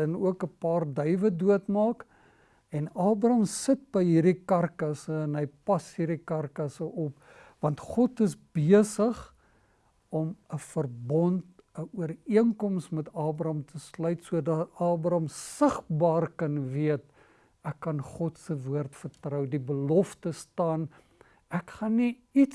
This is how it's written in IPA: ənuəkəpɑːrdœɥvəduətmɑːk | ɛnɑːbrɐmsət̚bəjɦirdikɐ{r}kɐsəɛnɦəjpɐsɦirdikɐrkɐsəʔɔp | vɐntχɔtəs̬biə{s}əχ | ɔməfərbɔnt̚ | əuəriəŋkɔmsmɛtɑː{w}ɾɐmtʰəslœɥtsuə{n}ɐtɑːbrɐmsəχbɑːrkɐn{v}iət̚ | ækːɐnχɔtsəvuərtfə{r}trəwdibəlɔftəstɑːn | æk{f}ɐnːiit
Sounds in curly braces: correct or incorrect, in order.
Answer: correct, correct, incorrect: b, incorrect: d, correct, correct, incorrect: χ

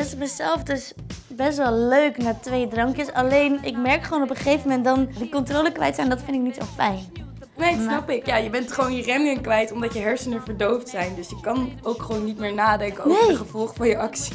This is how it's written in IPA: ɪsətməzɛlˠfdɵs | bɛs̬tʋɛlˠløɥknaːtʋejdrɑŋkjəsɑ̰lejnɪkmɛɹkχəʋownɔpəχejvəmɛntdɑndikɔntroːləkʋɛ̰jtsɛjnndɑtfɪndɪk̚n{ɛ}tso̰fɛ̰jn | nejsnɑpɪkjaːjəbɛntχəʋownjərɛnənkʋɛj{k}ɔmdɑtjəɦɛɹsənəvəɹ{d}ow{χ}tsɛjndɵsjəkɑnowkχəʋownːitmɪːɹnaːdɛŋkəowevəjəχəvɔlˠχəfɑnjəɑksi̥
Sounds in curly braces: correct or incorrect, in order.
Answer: incorrect: i, incorrect: t, correct, incorrect: f

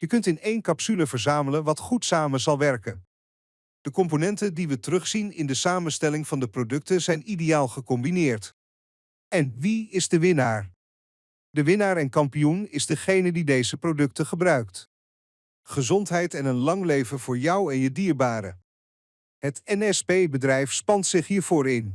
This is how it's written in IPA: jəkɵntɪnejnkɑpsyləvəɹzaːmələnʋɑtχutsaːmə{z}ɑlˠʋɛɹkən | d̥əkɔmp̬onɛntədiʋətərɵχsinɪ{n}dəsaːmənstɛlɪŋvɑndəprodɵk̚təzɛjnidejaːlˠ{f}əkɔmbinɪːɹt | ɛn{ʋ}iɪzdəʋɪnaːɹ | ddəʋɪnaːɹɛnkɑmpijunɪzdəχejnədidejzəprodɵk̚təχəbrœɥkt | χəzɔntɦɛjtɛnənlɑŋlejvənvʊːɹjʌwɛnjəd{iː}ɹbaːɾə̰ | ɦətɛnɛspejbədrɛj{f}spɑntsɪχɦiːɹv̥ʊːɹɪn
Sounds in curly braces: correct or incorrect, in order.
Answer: correct, correct, incorrect: χ, correct, correct, correct

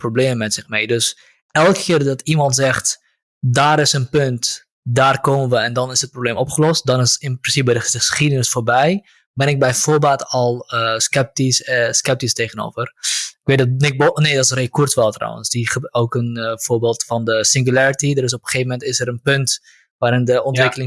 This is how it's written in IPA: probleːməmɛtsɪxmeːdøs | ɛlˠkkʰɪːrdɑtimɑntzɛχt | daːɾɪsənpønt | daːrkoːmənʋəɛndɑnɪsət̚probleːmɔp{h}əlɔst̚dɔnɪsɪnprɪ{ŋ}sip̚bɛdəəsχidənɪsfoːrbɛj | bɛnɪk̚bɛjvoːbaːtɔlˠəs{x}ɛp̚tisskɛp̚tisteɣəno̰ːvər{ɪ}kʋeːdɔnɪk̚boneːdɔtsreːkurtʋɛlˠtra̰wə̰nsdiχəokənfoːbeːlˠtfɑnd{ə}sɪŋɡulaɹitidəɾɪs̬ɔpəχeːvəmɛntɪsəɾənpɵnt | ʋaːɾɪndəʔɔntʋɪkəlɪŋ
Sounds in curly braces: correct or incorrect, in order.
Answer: incorrect: χ, incorrect: n, incorrect: k, correct, correct

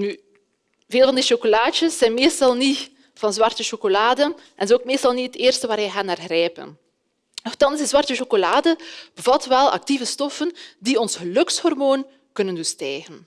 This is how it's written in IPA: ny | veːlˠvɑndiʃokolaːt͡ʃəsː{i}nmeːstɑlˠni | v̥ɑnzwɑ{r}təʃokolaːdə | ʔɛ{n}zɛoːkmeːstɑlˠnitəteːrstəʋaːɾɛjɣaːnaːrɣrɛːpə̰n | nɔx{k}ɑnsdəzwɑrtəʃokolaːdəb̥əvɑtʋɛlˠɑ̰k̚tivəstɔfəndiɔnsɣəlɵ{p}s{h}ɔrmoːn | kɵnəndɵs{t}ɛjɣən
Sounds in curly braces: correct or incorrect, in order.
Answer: incorrect: ɛ, correct, correct, incorrect: t, incorrect: k, correct, correct

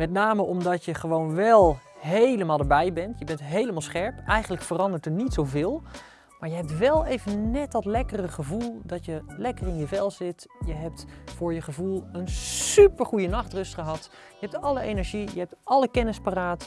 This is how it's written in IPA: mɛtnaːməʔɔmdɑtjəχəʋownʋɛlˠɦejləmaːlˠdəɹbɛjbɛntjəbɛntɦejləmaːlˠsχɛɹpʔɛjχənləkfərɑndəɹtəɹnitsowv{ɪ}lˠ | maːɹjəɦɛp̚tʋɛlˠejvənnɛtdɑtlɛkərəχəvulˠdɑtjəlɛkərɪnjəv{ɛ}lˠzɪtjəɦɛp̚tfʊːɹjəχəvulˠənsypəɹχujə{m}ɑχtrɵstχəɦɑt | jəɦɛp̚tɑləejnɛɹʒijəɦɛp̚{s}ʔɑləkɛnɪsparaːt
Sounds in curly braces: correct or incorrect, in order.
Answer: incorrect: ɪː, correct, incorrect: n, incorrect: t

